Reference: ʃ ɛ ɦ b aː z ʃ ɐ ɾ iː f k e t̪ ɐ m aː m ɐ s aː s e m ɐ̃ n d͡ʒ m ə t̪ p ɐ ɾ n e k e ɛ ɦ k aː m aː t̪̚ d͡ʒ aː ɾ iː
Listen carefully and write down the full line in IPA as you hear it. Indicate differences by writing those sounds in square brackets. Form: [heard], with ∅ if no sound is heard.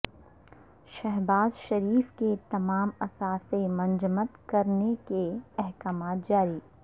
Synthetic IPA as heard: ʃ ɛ ɦ b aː z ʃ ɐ ɾ iː f k e t̪ ɐ m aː m ɐ s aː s e m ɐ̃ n d͡ʒ m ə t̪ [k] ɐ ɾ n e k e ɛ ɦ k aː m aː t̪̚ d͡ʒ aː ɾ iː

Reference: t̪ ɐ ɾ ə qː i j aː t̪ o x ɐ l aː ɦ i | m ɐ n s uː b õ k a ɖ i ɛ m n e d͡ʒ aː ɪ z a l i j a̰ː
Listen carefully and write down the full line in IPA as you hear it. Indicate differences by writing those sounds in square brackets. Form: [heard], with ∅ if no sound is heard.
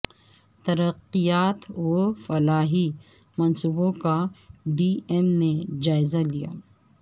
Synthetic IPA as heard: t̪ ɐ ɾ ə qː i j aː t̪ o [f] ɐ l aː ɦ i | m ɐ n s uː b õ k a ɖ i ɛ m n e d͡ʒ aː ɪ z a l i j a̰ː

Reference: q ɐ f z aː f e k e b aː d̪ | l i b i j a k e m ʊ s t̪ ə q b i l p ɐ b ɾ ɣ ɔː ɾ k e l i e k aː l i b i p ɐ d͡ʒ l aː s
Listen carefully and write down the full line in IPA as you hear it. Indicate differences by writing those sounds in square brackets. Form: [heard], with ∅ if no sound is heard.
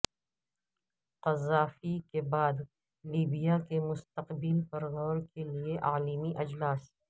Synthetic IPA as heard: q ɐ [∅] z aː f [i] k e b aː d̪ | l [iː] b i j a k e m ʊ s t̪ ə q b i l p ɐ [∅] ɾ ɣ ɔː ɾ k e l i e [ʔ] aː l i [m] i [ʔ] ɐ d͡ʒ l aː s

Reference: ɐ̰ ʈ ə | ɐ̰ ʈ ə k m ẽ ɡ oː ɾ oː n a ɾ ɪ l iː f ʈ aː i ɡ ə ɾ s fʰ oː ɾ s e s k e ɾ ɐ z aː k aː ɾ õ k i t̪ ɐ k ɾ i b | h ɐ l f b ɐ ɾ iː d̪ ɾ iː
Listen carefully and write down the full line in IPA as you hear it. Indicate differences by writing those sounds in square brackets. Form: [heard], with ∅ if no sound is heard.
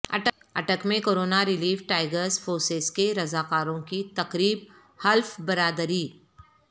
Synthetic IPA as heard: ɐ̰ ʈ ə | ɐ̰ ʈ ə k m ẽ [k] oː ɾ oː n a ɾ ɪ l iː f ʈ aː [ɪ] ɡ ə ɾ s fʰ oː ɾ s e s k e ɾ ɐ z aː k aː ɾ õ k i t̪ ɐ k ɾ [iː] b | h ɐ l f b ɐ ɾ [aː] d̪ ɾ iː

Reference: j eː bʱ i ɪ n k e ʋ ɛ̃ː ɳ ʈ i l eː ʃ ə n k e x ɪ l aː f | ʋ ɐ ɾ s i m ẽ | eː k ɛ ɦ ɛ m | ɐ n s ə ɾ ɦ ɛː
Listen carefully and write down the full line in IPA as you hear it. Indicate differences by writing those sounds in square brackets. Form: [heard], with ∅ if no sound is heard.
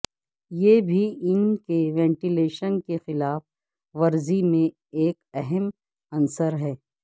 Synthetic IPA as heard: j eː bʱ i ɪ n k e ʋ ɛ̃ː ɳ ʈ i l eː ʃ ə n k e x ɪ l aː f | ʋ ɐ ɾ [z] i m ẽ | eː k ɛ ɦ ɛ m | ɐ n s ə ɾ ɦ ɛː

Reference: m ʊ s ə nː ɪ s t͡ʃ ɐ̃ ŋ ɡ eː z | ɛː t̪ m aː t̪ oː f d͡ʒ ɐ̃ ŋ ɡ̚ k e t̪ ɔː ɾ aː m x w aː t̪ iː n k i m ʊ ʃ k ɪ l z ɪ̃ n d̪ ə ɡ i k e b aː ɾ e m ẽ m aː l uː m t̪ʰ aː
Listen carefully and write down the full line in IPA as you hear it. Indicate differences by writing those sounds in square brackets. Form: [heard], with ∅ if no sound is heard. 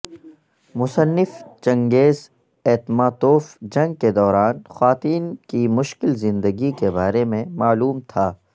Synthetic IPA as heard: m ʊ s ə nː ɪ [f] t͡ʃ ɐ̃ ŋ ɡ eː z | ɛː t̪ m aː t̪ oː f d͡ʒ ɐ̃ ŋ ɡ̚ k e [d̪] ɔː ɾ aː [n] x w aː t̪ iː n k i m ʊ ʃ k ɪ l z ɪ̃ n d̪ ə ɡ i k e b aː ɾ e m ẽ m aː l uː m t̪ʰ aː

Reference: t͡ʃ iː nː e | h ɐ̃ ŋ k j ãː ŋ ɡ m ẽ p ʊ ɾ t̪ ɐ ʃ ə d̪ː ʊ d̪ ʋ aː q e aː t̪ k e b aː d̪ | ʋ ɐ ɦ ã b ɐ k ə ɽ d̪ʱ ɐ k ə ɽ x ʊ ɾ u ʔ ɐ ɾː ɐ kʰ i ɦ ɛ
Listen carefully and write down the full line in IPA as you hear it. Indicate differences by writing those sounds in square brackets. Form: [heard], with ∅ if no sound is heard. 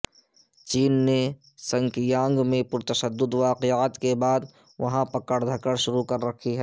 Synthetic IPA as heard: t͡ʃ iː nː e | [s] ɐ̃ ŋ k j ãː ŋ ɡ m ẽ p ʊ ɾ t̪ ɐ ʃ ə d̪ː ʊ d̪ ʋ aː q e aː t̪ k e b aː d̪ | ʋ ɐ ɦ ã [p] ɐ k ə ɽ d̪ʱ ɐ k ə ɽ [ʃ] ʊ ɾ u [k] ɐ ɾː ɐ kʰ i ɦ ɛ

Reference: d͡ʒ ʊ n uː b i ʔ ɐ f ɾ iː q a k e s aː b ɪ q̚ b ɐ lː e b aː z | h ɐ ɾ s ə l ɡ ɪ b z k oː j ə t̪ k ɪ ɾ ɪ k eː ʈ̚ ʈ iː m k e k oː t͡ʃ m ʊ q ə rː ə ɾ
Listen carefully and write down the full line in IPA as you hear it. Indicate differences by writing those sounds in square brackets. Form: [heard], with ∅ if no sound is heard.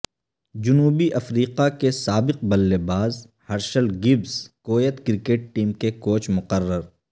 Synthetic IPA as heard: d͡ʒ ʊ n uː b i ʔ ɐ f ɾ iː q a k e s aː b ɪ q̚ b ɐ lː e b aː z | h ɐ ɾ [ʃ] ə l ɡ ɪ b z k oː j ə t̪ k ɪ ɾ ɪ k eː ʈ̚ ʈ iː m k e k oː t͡ʃ m ʊ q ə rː ə ɾ

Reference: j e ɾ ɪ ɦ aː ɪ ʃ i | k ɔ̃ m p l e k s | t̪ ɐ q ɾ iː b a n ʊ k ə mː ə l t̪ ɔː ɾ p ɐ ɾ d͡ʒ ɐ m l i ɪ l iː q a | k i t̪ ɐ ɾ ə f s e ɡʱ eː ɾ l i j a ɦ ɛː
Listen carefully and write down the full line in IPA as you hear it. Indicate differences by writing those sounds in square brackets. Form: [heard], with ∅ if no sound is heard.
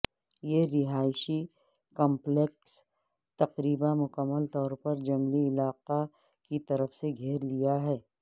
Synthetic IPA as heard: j e ɾ ɪ ɦ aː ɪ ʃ i | k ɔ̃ m p l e k s | t̪ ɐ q ɾ iː b a [m] ʊ k ə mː ə l t̪ ɔː ɾ p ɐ ɾ d͡ʒ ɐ m l i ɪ l [aː] q a | k i t̪ ɐ ɾ ə f s e ɡʱ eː ɾ l i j a ɦ ɛː

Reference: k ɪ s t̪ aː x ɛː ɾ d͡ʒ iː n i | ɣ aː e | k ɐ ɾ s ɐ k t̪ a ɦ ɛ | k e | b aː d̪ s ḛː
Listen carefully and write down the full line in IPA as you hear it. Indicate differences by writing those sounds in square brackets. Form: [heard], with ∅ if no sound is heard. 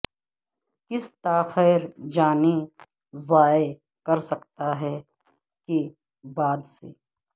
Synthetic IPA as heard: k ɪ s t̪ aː x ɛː ɾ d͡ʒ [aː] n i | [z] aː e | k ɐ ɾ s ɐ k t̪ a ɦ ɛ | k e | b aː d̪ s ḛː

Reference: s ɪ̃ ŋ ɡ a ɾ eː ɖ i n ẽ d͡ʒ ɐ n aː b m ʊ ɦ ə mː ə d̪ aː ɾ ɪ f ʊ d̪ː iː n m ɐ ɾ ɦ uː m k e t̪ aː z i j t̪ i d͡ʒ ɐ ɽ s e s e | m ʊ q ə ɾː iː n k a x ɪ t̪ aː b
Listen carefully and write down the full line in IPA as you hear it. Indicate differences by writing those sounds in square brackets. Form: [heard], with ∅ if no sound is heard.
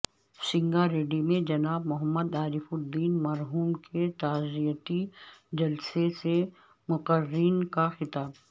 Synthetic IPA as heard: s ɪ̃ ŋ ɡ a ɾ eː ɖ i [m] ẽ d͡ʒ ɐ n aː b m ʊ ɦ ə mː ə d̪ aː ɾ ɪ f ʊ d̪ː iː n m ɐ ɾ ɦ uː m k e t̪ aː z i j t̪ i d͡ʒ ɐ [l] s e s e | m ʊ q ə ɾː iː n k a x ɪ t̪ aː b

